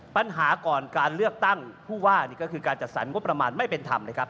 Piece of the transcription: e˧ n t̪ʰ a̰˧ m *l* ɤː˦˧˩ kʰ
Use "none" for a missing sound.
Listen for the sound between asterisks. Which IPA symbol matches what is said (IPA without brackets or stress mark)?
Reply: l